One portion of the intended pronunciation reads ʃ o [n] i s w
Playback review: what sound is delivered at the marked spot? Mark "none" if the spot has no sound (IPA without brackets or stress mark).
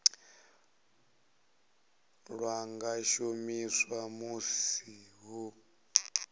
m